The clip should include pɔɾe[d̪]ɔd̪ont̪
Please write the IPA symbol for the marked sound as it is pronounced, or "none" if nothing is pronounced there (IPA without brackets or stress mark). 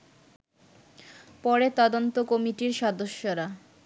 t̪